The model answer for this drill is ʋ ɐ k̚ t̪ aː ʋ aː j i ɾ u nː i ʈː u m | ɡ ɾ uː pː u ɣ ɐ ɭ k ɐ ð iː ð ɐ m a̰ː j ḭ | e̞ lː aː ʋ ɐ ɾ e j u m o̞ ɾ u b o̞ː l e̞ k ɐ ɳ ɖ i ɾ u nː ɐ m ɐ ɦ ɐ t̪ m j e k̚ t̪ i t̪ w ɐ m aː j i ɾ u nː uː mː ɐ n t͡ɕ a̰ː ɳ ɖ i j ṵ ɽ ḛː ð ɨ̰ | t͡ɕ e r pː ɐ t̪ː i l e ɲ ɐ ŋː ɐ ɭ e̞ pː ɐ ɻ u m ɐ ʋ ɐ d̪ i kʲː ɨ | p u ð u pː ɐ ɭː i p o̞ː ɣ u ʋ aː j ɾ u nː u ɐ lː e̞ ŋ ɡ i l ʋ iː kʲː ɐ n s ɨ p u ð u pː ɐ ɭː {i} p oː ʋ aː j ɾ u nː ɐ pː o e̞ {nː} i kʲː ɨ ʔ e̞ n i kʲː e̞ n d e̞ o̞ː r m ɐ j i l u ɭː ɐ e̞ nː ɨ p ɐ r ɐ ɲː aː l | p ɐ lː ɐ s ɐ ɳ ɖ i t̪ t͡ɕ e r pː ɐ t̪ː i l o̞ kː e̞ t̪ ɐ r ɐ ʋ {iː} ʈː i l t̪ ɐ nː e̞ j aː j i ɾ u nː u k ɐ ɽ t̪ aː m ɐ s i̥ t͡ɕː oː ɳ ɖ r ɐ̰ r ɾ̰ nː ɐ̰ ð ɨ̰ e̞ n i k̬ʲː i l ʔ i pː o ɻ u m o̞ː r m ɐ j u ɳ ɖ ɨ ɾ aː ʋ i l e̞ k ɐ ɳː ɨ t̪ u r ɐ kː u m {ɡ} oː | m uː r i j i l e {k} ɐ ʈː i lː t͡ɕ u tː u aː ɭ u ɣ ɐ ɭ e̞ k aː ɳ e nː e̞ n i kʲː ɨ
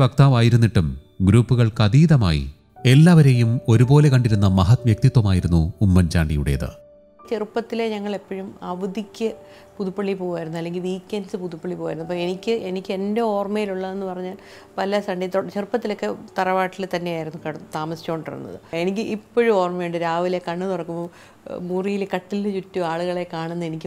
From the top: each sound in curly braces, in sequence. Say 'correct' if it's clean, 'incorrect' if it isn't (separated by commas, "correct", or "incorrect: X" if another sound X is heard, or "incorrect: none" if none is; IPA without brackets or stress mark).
correct, incorrect: n, incorrect: aː, incorrect: b, correct